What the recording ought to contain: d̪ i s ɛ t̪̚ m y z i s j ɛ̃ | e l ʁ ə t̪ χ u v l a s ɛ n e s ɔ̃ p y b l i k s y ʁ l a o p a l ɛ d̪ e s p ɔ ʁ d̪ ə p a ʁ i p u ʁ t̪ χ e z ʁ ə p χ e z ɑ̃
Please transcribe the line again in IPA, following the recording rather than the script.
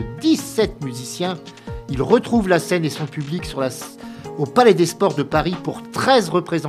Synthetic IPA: d̪ i s ɛ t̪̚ m y z i s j ɛ̃ | i l ʁ ə t̪ χ u v l a s ɛ n e s ɔ̃ p y b l i k s y ʁ l a o p a l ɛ d̪ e s p ɔ ʁ d̪ ə p a ʁ i p u ʁ t̪ χ ɛ z ʁ ə p χ e z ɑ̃